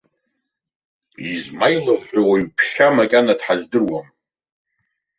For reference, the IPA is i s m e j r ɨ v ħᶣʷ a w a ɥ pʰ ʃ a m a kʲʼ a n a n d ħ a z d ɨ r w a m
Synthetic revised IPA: i z m a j l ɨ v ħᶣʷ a w a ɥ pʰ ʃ a m a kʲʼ a n a d ħ a z d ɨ r w a m

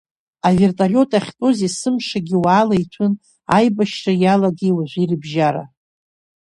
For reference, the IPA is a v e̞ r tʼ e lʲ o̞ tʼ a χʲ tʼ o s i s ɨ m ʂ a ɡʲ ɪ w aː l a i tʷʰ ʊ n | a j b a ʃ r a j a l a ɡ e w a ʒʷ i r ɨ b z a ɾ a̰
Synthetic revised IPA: a v e̞ r tʼ a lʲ o̞ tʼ a χʲ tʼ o z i s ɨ m ʂ a ɡʲ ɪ w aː l a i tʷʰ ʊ n | a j b a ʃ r a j a l a ɡ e w a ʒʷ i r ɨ b ʒ a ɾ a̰

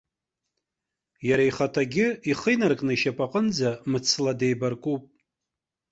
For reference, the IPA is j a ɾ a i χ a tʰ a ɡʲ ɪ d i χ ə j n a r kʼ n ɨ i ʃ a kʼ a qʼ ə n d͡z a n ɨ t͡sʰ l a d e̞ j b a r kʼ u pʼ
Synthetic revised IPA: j a ɾ a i χ a tʰ a ɡʲ ɪ i χ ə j n a r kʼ n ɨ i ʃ a pʼ a qʼ ə n d͡z a m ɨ t͡sʰ l a d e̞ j b a r kʼ u pʼ

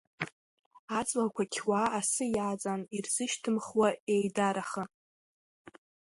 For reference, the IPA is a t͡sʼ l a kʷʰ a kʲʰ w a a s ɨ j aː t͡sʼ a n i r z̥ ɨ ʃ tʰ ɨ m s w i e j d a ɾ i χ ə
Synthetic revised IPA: a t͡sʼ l a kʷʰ a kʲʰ w a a s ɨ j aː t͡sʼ a n i r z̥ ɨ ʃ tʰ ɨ m χ w a e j d a ɾ a χ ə

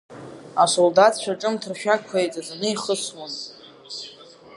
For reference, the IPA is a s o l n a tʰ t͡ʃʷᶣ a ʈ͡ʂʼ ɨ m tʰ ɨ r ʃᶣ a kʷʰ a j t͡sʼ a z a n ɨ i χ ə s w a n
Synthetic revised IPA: a s o l d a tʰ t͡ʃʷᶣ a ʈ͡ʂʼ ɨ m tʰ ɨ r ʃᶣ a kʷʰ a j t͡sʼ a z a n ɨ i χ ə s w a n

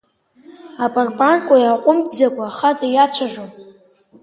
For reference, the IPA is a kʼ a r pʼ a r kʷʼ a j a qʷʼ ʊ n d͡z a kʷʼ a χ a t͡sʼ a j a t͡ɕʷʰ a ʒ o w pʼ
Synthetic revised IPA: a pʼ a r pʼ a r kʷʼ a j a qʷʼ ʊ m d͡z a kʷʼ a χ a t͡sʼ a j a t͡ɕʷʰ a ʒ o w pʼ

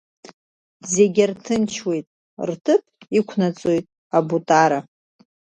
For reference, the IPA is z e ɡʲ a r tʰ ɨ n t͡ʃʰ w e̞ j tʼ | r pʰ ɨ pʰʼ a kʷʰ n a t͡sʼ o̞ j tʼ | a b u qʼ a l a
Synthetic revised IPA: z e ɡʲ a r tʰ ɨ n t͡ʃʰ w e̞ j tʼ | r tʰ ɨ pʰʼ i kʷʰ n a t͡sʼ o̞ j tʼ | a b u tʼ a ɾ a

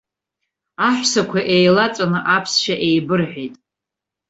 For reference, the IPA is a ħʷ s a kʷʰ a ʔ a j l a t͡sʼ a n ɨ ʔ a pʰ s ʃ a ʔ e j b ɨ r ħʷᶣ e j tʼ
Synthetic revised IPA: a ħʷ s a kʷʰ a ʔ e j l a t͡sʼ a n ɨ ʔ a pʰ s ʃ a ʔ e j b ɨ r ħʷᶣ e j tʼ

